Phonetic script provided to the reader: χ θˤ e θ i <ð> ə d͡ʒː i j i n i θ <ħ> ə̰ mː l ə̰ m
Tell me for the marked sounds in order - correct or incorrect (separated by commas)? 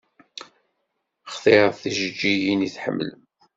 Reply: incorrect, correct